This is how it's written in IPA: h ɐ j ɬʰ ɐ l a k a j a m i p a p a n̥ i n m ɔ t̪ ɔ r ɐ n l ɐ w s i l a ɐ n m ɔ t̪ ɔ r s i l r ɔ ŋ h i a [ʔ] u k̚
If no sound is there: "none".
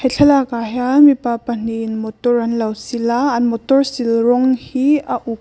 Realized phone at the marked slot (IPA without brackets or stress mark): ʔ